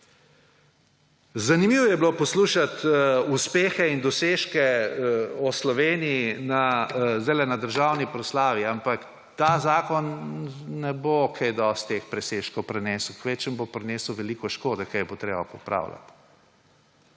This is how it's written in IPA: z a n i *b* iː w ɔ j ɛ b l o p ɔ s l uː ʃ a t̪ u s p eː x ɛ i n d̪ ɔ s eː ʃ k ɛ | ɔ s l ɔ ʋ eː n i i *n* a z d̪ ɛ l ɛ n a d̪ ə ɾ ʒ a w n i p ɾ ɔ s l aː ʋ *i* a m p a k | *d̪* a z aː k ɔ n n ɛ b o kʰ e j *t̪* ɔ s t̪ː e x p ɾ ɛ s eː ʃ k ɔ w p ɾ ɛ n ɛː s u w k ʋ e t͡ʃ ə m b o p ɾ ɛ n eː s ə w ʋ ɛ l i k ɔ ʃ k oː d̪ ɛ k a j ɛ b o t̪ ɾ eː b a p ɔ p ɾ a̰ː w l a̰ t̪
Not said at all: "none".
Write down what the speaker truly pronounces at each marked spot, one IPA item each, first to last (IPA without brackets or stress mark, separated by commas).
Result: m, n, i, t̪, d̪